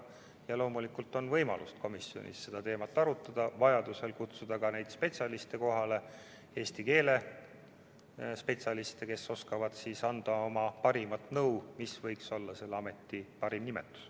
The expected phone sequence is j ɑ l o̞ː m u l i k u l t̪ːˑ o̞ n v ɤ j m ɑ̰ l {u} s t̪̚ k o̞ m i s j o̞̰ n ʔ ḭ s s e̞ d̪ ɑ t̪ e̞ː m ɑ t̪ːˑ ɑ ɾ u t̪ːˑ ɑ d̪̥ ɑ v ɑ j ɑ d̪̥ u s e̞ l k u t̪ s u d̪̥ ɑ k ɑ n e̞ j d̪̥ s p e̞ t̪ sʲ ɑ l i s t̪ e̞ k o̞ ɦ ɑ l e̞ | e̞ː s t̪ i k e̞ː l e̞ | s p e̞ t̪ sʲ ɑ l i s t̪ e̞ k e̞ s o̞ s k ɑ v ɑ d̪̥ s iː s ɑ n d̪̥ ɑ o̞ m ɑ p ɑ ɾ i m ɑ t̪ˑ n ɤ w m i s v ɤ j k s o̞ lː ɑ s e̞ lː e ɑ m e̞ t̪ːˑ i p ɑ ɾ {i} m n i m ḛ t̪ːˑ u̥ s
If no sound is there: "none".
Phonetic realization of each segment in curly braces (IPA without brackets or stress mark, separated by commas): u, i